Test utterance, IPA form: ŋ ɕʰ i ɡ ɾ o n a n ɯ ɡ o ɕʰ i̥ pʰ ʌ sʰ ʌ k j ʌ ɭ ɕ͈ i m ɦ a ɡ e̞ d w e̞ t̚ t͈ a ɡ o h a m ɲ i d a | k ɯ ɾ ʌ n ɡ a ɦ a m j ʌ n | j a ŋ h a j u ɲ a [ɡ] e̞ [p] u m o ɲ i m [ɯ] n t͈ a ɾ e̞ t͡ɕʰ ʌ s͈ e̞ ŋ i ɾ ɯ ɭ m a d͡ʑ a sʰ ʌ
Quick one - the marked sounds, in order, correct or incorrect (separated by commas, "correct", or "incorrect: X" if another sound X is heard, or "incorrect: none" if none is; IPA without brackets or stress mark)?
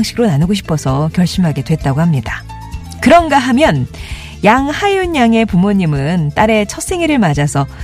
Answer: incorrect: ŋ, correct, correct